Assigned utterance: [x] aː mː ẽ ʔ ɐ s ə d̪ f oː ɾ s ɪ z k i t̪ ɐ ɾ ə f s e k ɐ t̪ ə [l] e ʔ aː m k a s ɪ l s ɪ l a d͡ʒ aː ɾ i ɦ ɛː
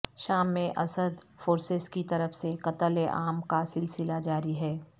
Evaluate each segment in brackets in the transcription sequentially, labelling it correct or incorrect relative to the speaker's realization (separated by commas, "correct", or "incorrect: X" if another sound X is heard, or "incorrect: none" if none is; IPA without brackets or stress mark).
incorrect: ʃ, correct